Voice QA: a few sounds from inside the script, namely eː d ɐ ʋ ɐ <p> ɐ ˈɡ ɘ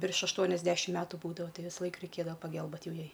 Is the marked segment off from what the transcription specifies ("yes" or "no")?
no